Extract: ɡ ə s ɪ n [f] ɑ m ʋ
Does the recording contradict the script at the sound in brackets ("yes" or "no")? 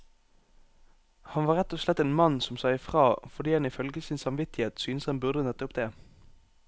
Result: yes